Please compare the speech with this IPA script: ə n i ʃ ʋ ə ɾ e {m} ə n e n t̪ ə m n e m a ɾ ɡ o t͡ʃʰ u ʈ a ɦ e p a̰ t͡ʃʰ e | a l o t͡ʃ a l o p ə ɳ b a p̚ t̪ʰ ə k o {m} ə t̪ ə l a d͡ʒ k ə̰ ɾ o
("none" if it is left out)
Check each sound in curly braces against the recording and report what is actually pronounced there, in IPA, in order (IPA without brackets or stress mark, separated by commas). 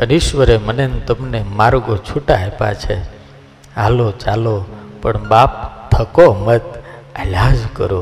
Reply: m, m